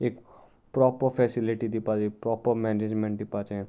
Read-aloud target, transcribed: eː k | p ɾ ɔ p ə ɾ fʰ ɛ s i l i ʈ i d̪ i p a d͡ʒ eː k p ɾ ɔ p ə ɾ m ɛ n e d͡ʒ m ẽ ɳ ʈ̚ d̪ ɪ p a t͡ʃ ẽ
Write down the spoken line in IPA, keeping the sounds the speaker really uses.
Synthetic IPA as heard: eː k | p ɾ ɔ p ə ɾ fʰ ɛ s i l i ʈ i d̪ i p a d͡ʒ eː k p ɾ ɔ p ə ɾ m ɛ n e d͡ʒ m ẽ ɳ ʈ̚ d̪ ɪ p a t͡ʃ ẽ

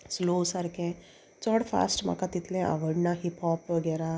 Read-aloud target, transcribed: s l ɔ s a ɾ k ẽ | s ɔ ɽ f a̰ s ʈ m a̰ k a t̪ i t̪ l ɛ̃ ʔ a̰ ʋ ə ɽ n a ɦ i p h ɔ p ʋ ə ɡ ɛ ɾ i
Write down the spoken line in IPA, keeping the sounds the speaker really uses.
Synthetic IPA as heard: s l o s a ɾ k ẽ | t͡s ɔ ɽ f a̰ s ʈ m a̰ k a t̪ i t̪ l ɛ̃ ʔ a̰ ʋ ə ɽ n a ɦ i p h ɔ p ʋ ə ɡ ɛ ɾ a

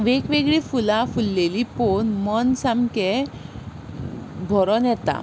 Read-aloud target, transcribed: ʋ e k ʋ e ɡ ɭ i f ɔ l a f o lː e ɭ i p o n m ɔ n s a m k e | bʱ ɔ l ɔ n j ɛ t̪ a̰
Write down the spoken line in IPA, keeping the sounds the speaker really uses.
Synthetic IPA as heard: ʋ e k ʋ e ɡ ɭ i f u l a f u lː e l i p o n m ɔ n s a m k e | bʱ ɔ ɾ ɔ n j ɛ t̪ a̰

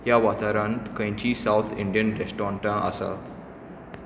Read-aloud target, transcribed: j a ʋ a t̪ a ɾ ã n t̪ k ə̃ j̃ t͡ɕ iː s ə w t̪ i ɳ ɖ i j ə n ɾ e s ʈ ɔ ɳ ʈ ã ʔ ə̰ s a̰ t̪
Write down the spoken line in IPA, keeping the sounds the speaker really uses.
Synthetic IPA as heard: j a ʋ a t̪ a ɾ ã n t̪ k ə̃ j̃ t͡ɕ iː s a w t̪ʰ i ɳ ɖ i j ə n ɾ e s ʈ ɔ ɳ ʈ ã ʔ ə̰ s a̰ t̪

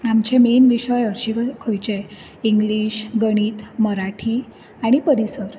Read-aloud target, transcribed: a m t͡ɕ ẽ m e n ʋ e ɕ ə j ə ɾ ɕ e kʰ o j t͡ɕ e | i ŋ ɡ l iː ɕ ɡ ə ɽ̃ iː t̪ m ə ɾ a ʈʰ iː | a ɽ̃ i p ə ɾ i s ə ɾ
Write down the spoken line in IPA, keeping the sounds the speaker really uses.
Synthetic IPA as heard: a m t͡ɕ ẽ m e n ʋ i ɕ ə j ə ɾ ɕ i kʰ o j t͡ɕ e | i ŋ ɡ l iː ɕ ɡ ə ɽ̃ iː t̪ m ə ɾ a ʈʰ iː | a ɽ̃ i p ə ɾ i s ə ɾ

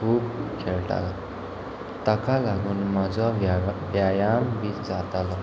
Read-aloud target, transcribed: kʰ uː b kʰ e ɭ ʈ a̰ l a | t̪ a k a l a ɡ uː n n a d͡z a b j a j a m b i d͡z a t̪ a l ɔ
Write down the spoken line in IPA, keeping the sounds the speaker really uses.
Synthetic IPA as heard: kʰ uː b kʰ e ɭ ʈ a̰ l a | t̪ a k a l a ɡ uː n m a d͡z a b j a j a m b i d͡z a t̪ a l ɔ

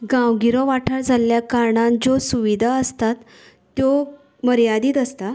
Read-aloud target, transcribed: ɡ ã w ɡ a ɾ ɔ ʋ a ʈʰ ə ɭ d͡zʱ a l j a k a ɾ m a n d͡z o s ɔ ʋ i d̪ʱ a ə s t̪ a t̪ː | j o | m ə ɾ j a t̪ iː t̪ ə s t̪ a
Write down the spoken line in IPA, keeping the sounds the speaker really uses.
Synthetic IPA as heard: ɡ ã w ɡ i ɾ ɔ ʋ a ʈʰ ə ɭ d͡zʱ a l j a k a ɾ ɳ a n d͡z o s u ʋ i d̪ʱ a ə s t̪ a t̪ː | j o | m ə ɾ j a d̪ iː t̪ ə s t̪ a

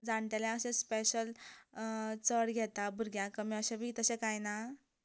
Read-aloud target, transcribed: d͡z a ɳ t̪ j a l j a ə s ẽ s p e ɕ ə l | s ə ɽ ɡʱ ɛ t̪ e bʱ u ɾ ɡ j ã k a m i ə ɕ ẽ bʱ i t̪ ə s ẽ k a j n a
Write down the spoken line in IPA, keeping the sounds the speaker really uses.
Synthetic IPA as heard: d͡z a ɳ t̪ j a l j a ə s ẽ s p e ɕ ə l | t͡s ə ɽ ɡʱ ɛ t̪ a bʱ u ɾ ɡ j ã k ə m i ə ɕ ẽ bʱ i t̪ ə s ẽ k a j n a

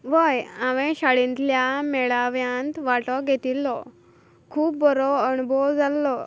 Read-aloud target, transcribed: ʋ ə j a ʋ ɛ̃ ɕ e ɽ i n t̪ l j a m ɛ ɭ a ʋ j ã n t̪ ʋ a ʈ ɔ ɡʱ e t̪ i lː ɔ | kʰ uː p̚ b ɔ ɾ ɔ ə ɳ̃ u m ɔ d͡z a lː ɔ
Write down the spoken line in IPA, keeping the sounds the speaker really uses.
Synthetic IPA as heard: ʋ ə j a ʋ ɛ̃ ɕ a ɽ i n t̪ l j a m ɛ ɭ a ʋ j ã n t̪ ʋ a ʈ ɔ ɡʱ e t̪ i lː ɔ | kʰ uː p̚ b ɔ ɾ ɔ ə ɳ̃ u b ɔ d͡z a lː ɔ

